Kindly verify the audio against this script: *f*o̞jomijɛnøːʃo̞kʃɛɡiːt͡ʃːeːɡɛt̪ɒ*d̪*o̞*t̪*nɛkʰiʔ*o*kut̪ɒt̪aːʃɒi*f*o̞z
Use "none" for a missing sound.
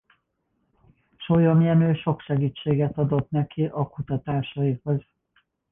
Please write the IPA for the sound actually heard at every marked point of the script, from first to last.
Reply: ʃ, d̪, t̪, ɒ, h

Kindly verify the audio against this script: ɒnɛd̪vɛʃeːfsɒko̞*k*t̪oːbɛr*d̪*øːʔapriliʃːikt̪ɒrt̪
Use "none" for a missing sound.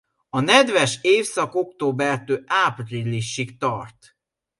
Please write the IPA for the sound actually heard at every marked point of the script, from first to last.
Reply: k, t̪

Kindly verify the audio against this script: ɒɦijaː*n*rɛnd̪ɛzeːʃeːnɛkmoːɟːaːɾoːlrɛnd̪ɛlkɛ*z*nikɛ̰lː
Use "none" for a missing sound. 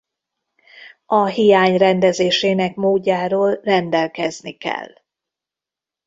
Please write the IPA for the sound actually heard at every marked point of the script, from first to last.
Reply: ɲ, z

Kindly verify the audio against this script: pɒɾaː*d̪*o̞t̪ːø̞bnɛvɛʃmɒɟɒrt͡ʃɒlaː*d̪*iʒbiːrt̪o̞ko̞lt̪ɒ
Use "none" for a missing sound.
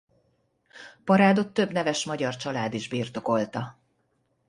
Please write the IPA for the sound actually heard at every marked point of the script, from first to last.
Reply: d̪, d̪

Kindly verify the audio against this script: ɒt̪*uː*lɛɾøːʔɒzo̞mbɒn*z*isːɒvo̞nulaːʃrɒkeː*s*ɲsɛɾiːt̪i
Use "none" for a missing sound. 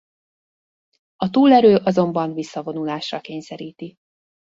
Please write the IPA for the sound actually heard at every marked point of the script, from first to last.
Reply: uː, v, none

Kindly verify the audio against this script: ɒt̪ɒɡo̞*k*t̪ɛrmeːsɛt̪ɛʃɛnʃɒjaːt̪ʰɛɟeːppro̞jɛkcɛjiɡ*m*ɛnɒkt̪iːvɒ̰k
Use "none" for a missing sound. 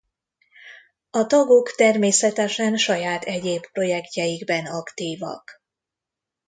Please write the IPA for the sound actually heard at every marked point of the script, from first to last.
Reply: k, b

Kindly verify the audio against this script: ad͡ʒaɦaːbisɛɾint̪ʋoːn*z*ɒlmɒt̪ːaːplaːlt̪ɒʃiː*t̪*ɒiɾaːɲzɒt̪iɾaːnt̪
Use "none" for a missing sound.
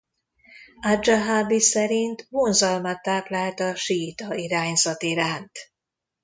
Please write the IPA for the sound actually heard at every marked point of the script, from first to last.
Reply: z, t̪

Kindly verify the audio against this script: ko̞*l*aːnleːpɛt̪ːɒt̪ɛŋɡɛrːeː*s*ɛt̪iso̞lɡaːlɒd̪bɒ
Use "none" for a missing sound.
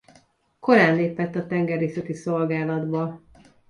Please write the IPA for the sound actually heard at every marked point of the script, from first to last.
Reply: ɾ, s

